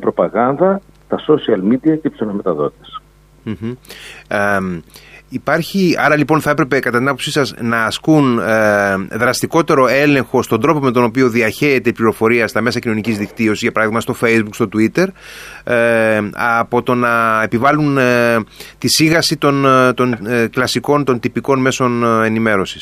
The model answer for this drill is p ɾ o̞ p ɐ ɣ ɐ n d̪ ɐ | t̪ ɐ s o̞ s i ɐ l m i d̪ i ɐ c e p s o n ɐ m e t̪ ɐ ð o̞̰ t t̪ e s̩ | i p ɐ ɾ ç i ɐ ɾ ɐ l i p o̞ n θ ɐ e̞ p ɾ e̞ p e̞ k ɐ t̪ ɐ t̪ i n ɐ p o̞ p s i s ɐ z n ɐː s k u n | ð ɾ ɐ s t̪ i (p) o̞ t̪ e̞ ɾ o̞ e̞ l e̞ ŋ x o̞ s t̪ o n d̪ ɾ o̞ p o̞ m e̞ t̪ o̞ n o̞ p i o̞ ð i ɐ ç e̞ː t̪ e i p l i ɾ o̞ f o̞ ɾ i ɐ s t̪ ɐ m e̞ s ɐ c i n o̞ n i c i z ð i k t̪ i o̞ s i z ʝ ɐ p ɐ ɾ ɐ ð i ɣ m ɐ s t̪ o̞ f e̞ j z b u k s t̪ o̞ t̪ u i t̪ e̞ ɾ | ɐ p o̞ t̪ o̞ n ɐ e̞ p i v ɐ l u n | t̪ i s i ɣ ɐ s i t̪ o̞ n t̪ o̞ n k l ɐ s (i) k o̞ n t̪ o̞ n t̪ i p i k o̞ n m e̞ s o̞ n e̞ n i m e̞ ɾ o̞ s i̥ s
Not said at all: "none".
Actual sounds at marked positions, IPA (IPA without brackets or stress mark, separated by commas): k, i